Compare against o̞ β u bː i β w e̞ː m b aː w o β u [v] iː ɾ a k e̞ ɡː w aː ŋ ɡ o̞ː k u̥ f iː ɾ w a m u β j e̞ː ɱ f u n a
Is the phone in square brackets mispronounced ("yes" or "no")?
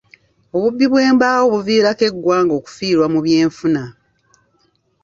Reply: no